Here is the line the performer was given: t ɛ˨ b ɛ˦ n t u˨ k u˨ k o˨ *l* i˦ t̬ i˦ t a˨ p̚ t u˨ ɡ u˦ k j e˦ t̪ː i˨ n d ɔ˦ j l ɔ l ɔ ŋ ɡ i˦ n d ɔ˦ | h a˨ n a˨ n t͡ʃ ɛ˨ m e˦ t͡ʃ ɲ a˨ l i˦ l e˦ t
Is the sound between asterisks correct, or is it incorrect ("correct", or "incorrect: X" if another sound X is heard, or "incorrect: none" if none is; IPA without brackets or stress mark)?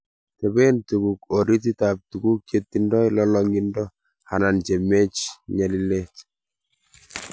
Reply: incorrect: ɾ